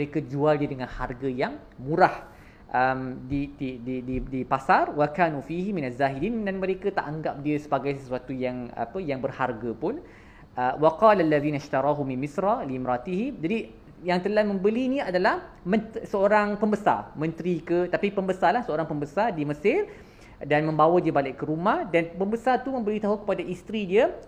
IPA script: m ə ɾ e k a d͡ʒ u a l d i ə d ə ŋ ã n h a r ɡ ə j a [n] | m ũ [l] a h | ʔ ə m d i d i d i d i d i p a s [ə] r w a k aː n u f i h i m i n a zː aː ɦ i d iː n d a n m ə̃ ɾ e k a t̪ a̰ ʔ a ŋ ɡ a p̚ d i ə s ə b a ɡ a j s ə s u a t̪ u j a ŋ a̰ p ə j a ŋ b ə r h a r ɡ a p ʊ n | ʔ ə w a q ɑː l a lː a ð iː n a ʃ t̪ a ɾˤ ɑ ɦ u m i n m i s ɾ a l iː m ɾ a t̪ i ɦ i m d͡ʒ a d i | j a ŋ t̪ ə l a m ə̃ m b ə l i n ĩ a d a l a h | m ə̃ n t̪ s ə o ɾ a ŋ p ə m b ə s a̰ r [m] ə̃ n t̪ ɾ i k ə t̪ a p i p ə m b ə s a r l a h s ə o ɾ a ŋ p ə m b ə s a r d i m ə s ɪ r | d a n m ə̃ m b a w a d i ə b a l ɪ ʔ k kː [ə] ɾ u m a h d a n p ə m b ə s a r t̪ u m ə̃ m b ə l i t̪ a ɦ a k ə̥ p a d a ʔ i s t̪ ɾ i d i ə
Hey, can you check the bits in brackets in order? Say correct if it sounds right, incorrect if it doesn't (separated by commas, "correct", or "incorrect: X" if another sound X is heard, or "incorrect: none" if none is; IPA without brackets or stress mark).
incorrect: ŋ, incorrect: ɾ, incorrect: a, correct, correct